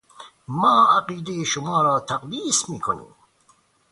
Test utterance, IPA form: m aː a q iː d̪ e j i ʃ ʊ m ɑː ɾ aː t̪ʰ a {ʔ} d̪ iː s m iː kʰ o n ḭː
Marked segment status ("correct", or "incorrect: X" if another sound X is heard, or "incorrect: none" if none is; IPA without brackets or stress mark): incorrect: q